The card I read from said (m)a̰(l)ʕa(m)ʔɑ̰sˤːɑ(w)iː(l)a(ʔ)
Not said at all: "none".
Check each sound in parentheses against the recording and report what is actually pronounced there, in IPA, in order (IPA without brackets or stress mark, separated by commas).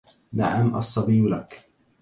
n, none, m, b, l, k